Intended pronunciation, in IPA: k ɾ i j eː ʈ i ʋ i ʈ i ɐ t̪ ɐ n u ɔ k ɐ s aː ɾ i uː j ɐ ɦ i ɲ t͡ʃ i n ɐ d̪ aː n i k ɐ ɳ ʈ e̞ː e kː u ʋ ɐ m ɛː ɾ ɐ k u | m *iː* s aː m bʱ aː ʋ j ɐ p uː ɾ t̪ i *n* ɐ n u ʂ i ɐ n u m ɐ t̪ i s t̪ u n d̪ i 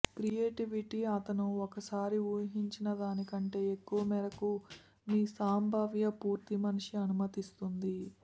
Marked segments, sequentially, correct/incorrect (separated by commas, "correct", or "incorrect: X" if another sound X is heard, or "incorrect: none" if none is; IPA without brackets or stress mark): correct, incorrect: m